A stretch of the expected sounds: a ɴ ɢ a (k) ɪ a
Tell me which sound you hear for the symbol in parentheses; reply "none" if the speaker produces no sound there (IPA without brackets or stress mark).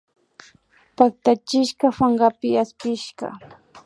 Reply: p